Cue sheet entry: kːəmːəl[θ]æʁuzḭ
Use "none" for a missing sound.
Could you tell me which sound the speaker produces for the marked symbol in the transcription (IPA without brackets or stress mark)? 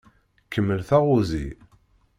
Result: θ